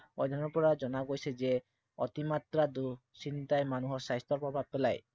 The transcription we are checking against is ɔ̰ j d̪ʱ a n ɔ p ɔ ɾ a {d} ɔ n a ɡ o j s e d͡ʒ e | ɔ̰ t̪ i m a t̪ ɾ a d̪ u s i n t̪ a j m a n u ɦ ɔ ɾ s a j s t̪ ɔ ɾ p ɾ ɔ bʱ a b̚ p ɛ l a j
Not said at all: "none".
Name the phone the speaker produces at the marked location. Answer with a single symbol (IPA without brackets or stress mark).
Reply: d͡ʒ